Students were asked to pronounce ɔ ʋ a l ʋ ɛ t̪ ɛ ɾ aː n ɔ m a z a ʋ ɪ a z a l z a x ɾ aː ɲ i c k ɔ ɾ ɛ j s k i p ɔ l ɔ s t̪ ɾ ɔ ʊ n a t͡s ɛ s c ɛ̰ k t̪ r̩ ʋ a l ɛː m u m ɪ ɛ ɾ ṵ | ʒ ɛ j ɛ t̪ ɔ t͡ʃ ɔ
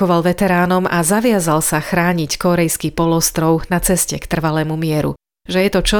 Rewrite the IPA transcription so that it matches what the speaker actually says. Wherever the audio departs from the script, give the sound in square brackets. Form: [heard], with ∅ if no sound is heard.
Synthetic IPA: ɔ ʋ a l ʋ ɛ t̪ ɛ ɾ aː n ɔ m a z a ʋ ɪ a z a l [s] a x ɾ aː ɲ i c k ɔ ɾ ɛ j s k i p ɔ l ɔ s t̪ ɾ ɔ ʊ n a t͡s ɛ s c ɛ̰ k t̪ r̩ ʋ a l ɛː m u m ɪ ɛ ɾ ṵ | ʒ ɛ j ɛ t̪ ɔ t͡ʃ ɔ